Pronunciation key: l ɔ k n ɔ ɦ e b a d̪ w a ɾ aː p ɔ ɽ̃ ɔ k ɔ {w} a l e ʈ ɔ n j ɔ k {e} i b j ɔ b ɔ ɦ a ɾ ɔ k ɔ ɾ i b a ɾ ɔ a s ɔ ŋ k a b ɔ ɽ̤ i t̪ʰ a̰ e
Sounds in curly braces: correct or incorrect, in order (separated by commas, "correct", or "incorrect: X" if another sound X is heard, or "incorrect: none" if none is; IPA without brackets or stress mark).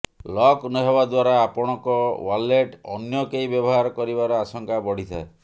correct, correct